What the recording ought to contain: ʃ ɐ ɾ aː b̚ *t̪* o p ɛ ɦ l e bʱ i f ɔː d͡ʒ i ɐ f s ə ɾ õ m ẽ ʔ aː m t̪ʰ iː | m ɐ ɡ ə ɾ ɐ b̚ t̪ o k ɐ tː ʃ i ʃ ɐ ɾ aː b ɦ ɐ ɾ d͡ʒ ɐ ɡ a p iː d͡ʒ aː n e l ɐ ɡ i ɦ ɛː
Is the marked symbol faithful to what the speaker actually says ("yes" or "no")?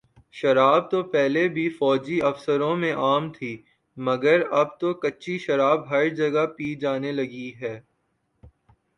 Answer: yes